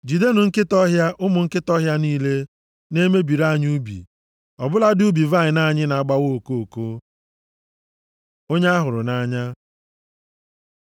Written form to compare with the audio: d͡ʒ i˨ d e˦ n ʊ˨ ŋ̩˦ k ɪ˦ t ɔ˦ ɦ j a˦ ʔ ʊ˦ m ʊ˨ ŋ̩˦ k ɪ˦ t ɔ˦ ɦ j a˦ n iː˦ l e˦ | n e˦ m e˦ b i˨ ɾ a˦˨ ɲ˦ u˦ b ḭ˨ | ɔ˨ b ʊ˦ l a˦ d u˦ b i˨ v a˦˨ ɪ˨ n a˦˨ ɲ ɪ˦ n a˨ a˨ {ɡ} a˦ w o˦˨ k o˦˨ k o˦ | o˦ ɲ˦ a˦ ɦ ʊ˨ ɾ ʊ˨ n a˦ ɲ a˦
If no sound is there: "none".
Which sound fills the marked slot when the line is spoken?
ɡ͡b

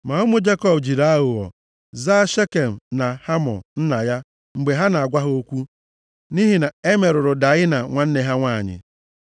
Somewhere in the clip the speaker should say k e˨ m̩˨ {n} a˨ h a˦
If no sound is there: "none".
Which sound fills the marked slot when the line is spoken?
n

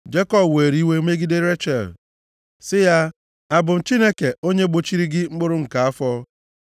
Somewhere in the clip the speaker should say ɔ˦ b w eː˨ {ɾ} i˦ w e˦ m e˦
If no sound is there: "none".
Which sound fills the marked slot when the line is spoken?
ɾ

